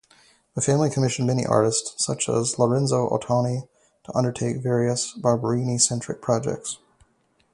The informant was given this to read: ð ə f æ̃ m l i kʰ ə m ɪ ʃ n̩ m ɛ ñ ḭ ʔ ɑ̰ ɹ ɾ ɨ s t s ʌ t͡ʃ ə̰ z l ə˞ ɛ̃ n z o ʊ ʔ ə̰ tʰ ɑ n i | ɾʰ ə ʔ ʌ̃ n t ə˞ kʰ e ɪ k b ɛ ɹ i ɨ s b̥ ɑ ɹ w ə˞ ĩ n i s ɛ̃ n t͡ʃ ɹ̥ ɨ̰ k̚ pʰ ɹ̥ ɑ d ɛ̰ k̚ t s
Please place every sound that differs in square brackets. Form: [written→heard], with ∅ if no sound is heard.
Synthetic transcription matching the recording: ð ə f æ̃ m l i kʰ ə m ɪ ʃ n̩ m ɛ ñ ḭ ʔ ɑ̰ ɹ ɾ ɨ s t s ʌ t͡ʃ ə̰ z l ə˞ ɛ̃ n z o ʊ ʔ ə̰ tʰ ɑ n i | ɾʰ ə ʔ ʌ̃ n [t→d] ə˞ [kʰ→tʰ] e ɪ k [b→v] ɛ ɹ i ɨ s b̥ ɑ ɹ [w→b] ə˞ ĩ n i s ɛ̃ n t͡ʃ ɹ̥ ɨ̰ k̚ pʰ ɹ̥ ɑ [d→d͡ʒ] ɛ̰ k̚ t s

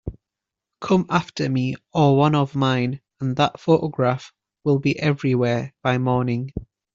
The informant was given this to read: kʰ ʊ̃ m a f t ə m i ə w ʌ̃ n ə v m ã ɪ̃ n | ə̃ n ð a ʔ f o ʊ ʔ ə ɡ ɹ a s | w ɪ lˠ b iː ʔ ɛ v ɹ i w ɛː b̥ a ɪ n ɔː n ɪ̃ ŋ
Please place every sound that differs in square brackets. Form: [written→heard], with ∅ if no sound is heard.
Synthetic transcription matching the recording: kʰ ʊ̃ m a f t ə m i ə w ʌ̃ n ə v m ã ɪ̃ n | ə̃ n ð [a→ə] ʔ f o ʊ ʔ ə ɡ ɹ a [s→f] | w ɪ lˠ b [iː→i] ʔ ɛ v ɹ i w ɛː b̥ a ɪ [n→m] ɔː n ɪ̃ ŋ

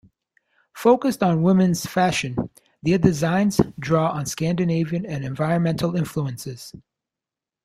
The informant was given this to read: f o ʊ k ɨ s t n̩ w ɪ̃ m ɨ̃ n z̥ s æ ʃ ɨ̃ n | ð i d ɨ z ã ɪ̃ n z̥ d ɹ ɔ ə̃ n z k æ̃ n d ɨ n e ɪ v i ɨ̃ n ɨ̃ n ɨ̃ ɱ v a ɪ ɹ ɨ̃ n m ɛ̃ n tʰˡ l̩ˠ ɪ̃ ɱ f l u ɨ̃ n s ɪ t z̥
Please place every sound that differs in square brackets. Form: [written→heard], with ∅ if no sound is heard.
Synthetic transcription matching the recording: f o ʊ k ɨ s t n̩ w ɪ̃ m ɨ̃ n z̥ [s→f] æ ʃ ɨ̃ n | ð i d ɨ z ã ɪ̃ n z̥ d ɹ ɔ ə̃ n [z→s] k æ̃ n d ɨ n e ɪ v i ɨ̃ n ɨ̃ n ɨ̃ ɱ v a ɪ ɹ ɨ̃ n m ɛ̃ n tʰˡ l̩ˠ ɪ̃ ɱ f l u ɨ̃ n s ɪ [t→∅] z̥

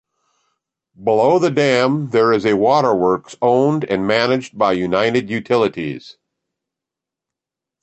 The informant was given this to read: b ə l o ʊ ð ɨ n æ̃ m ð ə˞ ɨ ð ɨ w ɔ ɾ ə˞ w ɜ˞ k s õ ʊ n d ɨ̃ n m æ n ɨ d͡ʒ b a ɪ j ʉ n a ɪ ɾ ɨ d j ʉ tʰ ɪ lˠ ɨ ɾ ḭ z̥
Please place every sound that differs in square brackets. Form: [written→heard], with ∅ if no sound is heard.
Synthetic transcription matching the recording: b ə l o ʊ ð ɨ [n→d] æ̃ m ð ə˞ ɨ [ð→z] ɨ w ɔ ɾ ə˞ w ɜ˞ k s õ [ʊ→ʊ̃] n d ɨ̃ n m æ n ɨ d͡ʒ b a ɪ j ʉ n a ɪ ɾ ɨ d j ʉ tʰ ɪ lˠ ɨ ɾ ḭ z̥

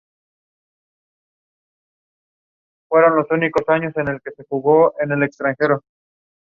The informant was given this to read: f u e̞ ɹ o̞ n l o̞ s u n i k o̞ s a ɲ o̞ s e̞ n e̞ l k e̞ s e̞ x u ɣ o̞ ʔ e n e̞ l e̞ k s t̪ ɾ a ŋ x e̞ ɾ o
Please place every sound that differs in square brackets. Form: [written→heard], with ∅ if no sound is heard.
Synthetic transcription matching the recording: f [u→w] e̞ [ɹ→ɾ] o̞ n l o̞ s u n i k o̞ s a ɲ o̞ s e̞ n e̞ l k e̞ s e̞ x u ɣ o̞ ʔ e n e̞ l e̞ k s t̪ ɾ a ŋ x e̞ ɾ o

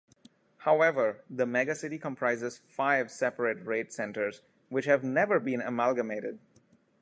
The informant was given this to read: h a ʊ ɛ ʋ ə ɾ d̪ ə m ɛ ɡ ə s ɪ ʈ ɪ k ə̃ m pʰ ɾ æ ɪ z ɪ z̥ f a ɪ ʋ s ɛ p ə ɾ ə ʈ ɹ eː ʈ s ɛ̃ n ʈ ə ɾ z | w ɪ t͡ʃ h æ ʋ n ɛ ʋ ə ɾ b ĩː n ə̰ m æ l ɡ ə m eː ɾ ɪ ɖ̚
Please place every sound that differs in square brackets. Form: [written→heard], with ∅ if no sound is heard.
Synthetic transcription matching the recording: h a ʊ ɛ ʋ ə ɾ d̪ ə m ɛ ɡ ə s ɪ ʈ [ɪ→i] k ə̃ m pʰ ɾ [æ→a] ɪ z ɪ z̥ f a ɪ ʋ s ɛ p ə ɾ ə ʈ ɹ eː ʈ s ɛ̃ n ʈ ə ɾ z | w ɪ t͡ʃ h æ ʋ n ɛ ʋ ə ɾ b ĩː n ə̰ m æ l ɡ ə m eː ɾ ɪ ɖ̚

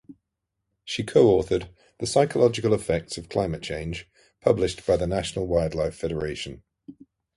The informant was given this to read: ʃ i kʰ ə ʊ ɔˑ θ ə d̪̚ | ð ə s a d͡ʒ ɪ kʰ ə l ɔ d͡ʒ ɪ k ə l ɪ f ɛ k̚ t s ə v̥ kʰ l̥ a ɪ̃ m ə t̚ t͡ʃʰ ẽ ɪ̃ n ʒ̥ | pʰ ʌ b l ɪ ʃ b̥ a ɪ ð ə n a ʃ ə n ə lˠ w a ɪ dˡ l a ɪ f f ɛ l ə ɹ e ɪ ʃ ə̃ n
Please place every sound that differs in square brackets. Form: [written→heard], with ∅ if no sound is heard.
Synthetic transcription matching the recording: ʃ i kʰ ə ʊ ɔˑ θ ə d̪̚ | ð ə s a [d͡ʒ→∅] ɪ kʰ ə l [ɔ→ɒ] d͡ʒ ɪ k ə l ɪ f ɛ k̚ t s ə v̥ kʰ l̥ a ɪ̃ m ə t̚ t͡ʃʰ ẽ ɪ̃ n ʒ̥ | pʰ ʌ b l ɪ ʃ b̥ a ɪ ð ə n a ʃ ə n ə lˠ w a ɪ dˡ l a ɪ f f ɛ [l→ɾ] ə ɹ e ɪ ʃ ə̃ n

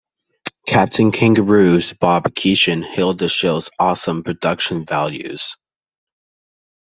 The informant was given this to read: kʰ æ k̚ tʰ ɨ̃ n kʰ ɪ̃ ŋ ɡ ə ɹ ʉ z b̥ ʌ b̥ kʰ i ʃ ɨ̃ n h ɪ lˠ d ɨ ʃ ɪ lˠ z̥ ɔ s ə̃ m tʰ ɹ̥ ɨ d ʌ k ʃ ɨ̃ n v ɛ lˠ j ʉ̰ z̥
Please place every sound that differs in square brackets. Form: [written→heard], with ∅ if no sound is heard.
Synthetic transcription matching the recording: kʰ æ [k̚→p̚] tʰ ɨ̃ n kʰ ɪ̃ ŋ ɡ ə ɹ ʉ z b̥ [ʌ→ɑ] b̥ kʰ i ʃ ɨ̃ n h ɪ lˠ d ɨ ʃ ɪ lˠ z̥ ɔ s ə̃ m [tʰ→pʰ] ɹ̥ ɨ d ʌ k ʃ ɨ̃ n v [ɛ→æ] lˠ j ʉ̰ z̥

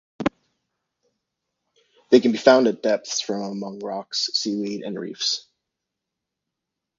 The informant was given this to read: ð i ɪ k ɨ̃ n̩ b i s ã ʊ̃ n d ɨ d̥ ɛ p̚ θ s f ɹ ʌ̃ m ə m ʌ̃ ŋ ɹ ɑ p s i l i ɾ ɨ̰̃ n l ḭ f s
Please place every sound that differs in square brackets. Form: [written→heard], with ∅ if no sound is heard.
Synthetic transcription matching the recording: ð [i→e] ɪ k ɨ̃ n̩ b i [s→f] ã ʊ̃ n d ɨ d̥ ɛ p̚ θ s f ɹ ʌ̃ m ə m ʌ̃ ŋ ɹ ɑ [p→k] s i l i ɾ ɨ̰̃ n [l→ɹ] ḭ f s

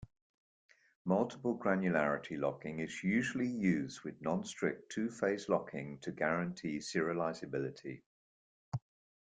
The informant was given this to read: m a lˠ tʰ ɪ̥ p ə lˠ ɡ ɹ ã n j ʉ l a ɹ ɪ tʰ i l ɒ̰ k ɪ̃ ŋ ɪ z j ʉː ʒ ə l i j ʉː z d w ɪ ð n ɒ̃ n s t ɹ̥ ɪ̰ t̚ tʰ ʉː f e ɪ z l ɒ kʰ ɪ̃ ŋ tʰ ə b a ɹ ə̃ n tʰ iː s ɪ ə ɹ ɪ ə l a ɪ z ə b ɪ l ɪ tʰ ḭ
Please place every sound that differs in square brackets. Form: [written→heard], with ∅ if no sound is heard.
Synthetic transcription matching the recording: m [a→ʌ] lˠ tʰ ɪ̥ p ə lˠ ɡ ɹ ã n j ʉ l a ɹ ɪ tʰ i l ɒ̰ k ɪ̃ ŋ ɪ z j ʉː ʒ ə l i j ʉː z d w ɪ ð n ɒ̃ n s t ɹ̥ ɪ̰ [t̚→k̚] tʰ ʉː f e ɪ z l ɒ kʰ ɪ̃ ŋ tʰ ə [b→ɡ] a ɹ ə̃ n tʰ iː s ɪ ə ɹ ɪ ə l a ɪ z ə b ɪ l ɪ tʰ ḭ

